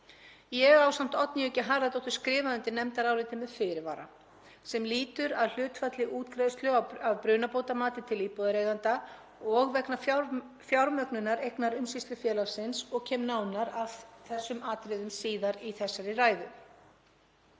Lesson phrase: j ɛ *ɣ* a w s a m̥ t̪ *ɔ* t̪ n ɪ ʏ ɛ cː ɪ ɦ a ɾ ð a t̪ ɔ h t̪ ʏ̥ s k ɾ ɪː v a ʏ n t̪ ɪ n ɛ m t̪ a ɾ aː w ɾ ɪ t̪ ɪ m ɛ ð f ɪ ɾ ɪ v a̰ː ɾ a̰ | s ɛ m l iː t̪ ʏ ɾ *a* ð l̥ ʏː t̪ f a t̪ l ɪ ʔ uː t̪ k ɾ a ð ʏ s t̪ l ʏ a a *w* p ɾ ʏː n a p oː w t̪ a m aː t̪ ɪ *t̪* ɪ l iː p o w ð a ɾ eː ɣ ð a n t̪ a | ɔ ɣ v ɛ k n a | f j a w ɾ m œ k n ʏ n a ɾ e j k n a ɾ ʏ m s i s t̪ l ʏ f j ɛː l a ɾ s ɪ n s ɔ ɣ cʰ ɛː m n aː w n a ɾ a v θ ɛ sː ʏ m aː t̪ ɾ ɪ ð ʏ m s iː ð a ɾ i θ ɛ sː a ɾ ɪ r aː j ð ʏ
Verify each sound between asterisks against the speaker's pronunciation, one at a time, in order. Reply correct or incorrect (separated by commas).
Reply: correct, correct, correct, incorrect, incorrect